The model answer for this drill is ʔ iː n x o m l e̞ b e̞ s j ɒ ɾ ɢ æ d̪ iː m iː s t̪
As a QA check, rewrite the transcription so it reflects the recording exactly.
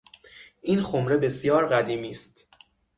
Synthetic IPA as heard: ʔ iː n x o m ɾ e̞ b e̞ s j ɒː ɾ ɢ æ d̪ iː m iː s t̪